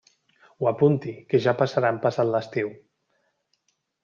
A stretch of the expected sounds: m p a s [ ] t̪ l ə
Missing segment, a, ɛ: a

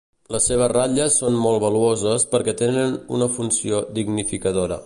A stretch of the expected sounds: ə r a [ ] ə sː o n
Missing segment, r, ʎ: ʎ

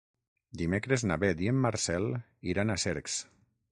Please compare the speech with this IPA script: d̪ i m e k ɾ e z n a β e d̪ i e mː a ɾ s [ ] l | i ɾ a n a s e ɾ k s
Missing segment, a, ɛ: ɛ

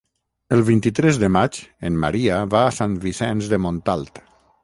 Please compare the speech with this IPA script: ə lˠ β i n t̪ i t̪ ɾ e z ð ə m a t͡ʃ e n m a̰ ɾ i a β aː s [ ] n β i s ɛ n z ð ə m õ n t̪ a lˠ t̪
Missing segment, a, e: a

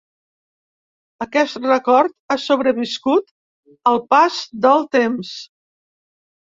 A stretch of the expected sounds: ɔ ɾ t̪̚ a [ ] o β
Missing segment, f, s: s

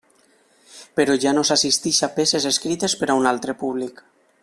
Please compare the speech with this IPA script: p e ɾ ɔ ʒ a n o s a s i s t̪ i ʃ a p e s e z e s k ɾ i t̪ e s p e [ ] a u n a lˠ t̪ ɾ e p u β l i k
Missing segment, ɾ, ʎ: ɾ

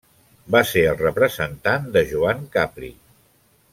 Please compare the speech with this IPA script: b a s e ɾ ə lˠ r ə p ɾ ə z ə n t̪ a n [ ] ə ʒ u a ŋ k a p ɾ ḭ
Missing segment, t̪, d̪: d̪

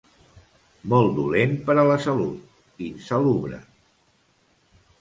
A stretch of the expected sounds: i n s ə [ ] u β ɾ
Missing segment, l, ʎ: l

